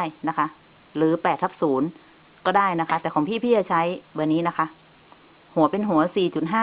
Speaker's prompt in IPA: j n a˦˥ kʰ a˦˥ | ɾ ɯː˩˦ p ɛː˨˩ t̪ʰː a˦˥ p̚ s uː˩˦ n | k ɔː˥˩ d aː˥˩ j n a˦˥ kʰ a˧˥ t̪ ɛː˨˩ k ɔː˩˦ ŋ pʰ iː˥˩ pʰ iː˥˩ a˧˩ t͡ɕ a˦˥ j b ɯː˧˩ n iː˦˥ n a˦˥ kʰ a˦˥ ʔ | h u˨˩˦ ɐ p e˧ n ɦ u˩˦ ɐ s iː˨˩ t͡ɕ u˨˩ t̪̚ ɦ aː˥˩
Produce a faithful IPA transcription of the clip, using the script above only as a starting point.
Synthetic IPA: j n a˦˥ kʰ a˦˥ | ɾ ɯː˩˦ p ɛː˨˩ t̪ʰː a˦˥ p̚ s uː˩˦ n | k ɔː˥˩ d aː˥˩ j n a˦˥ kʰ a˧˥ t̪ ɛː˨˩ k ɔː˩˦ ŋ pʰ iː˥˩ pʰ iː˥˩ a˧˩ t͡ɕʰ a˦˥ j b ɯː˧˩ n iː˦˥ n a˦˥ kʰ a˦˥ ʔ | h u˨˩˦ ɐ p e˧ n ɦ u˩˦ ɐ s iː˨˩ t͡ɕ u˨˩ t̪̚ ɦ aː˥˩